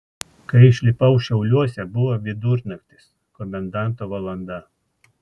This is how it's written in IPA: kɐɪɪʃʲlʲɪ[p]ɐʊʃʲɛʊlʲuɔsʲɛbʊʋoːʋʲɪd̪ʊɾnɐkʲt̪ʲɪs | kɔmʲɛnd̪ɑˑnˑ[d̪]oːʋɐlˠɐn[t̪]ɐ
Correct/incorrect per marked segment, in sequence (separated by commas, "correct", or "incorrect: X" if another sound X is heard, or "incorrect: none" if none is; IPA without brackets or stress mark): correct, incorrect: t̪, incorrect: d̪